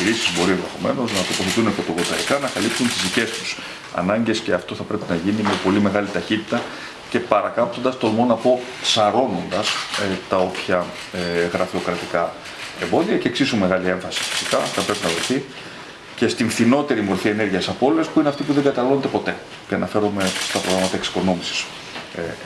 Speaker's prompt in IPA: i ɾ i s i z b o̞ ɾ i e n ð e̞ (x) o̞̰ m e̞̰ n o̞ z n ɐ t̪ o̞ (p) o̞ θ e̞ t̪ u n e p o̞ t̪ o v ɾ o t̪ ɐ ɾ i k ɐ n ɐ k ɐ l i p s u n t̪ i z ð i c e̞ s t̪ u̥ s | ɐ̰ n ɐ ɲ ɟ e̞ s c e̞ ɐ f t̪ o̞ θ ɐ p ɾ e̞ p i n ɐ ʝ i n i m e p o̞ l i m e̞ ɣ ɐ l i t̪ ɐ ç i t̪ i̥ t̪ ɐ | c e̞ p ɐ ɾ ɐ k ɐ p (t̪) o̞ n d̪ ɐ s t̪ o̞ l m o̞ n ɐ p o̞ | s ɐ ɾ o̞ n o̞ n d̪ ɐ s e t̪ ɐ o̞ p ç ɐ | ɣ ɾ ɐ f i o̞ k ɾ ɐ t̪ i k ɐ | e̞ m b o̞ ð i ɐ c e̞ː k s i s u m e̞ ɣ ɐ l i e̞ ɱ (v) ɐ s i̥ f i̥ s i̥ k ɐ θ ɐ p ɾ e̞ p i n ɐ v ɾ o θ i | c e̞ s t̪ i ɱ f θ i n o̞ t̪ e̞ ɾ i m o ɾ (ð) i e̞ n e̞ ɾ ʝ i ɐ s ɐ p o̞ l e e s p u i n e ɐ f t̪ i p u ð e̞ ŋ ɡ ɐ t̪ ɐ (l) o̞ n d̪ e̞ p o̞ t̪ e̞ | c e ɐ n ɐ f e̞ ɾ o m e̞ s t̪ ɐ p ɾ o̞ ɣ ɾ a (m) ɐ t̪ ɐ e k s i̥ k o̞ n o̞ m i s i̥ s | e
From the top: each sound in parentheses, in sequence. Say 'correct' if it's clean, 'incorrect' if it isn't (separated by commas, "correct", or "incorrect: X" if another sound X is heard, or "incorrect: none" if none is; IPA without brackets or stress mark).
correct, correct, correct, incorrect: f, incorrect: θ, correct, correct